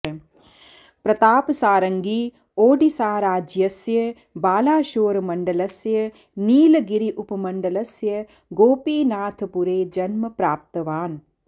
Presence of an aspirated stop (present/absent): present